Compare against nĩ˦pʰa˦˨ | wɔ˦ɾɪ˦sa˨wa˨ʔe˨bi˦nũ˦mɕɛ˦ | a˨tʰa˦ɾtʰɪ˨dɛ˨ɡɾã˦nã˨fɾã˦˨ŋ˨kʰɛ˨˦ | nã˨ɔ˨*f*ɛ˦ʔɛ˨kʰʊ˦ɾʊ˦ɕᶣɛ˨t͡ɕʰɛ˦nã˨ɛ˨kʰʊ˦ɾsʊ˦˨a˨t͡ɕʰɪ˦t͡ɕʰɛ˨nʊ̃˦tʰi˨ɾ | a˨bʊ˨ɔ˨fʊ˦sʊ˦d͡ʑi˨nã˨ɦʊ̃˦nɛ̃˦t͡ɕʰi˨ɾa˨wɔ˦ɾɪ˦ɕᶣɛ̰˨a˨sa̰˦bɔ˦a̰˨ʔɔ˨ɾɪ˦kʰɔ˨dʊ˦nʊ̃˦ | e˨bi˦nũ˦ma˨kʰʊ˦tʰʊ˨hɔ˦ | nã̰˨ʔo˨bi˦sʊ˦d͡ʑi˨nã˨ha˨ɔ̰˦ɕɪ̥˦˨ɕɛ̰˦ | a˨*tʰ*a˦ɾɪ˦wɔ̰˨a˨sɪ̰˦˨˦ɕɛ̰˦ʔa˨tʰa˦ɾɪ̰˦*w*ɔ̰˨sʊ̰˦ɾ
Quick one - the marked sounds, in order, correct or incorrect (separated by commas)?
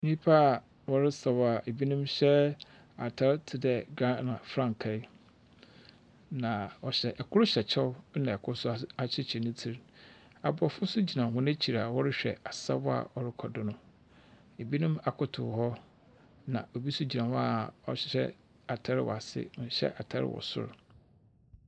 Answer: incorrect, correct, correct